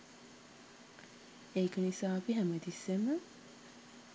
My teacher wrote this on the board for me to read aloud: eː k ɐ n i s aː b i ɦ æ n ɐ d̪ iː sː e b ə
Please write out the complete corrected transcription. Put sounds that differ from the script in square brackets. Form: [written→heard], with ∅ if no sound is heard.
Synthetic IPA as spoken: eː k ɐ n i s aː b i ɦ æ [n→m] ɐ d̪ [iː→i] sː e [b→m] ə